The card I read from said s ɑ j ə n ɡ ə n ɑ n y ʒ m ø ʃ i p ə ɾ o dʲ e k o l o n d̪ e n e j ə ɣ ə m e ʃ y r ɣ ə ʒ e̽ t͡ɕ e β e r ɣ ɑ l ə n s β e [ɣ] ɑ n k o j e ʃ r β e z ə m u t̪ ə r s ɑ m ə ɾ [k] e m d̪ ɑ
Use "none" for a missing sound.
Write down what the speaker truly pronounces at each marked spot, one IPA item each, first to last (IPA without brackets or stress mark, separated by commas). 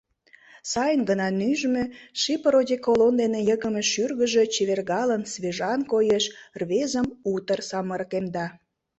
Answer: ʒ, k